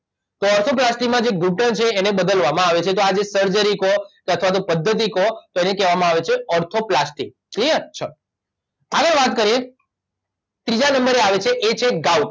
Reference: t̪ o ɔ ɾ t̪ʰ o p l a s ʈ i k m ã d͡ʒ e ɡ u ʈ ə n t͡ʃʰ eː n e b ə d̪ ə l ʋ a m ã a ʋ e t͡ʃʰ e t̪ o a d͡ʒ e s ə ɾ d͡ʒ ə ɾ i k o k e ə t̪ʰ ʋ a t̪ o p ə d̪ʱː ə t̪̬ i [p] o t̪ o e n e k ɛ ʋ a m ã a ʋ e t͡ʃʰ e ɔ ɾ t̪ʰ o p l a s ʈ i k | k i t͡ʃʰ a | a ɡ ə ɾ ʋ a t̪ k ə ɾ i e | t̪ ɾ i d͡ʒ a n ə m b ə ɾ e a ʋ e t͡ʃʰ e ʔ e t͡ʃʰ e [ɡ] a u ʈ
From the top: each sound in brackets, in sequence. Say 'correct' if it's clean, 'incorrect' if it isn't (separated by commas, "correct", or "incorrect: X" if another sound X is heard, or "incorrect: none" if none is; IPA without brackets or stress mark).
incorrect: k, correct